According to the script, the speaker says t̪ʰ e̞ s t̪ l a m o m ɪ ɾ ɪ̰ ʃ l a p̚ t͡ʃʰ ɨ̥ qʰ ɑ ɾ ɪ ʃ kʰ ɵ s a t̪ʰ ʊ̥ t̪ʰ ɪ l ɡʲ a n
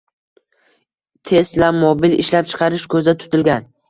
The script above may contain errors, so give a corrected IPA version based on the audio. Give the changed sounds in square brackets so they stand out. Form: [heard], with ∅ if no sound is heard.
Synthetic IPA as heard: t̪ʰ e̞ s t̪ l a m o [b] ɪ [l] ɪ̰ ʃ l a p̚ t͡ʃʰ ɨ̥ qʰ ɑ ɾ ɪ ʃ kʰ ɵ [z] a t̪ʰ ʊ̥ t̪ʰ ɪ l ɡʲ a n